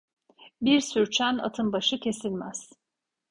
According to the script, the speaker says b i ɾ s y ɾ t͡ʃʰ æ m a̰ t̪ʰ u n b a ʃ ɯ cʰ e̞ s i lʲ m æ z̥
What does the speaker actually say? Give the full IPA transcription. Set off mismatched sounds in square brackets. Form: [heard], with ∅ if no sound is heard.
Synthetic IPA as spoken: b i ɾ s y ɾ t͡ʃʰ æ [n] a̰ t̪ʰ [ɯ] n b a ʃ ɯ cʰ e̞ s i lʲ m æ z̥